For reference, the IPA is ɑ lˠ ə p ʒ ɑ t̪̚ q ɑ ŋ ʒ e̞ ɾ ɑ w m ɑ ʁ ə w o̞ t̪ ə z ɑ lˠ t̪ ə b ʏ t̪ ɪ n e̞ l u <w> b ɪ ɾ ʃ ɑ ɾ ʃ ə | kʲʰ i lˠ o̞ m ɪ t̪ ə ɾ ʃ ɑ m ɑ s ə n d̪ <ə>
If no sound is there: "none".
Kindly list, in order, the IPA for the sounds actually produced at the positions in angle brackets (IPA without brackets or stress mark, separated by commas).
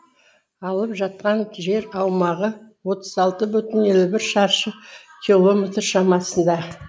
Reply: none, ɑ